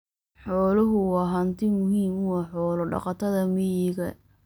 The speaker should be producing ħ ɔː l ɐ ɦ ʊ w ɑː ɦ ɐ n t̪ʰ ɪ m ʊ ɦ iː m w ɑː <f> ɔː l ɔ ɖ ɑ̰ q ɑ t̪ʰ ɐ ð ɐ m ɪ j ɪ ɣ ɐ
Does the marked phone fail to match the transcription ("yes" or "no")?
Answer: yes